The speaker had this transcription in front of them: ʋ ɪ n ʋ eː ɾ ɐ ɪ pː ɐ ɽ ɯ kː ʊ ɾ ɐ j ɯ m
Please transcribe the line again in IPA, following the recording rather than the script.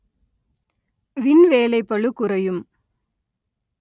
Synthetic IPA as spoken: ʋ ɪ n ʋ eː l ɐ ɪ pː ɐ ɭ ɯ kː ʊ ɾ ɐ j ɯ m

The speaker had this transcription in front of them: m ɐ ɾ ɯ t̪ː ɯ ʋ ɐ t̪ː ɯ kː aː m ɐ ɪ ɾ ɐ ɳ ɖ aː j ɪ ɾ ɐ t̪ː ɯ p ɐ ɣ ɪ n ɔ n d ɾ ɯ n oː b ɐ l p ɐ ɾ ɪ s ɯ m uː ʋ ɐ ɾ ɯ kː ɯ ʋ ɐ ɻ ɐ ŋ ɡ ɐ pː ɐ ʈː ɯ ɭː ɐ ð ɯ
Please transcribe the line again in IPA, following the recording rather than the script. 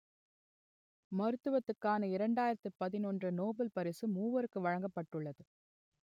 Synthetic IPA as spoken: m ɐ ɾ ɯ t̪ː ɯ ʋ ɐ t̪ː ɯ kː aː n ɐ ɪ ɾ ɐ ɳ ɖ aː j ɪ ɾ ɐ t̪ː ɯ p ɐ ð ɪ n ɔ n d r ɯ n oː b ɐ l p ɐ ɾ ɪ s ɯ m uː ʋ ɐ ɾ ɯ kː ɯ ʋ ɐ ɻ ɐ ŋ ɡ ɐ pː ɐ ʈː ɯ ɭː ɐ ð ɯ

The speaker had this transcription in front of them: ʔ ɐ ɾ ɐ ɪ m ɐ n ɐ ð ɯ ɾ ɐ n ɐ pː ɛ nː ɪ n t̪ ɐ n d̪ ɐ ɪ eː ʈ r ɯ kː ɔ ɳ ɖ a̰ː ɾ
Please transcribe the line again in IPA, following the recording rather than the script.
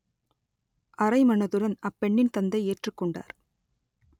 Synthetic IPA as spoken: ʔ ɐ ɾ ɐ ɪ m ɐ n ɐ ð ɯ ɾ ɐ n ɐ pː ɛ ɳː ɪ n t̪ ɐ n d̪ ɐ ɪ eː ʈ r ɯ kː ɔ ɳ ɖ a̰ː ɾ

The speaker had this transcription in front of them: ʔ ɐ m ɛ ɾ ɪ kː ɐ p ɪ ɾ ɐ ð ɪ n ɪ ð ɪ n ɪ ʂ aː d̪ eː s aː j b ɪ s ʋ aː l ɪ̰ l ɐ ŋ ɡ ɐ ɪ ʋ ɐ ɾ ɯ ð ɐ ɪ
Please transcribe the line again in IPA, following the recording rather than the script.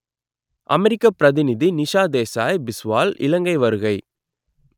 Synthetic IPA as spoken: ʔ ɐ m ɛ ɾ ɪ kː ɐ p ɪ ɾ ɐ ð ɪ n ɪ ð i n ɪ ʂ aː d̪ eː s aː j b ɪ s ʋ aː l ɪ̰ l ɐ ŋ ɡ ɐ ɪ ʋ ɐ ɾ ɯ ɣ ɐ ɪ

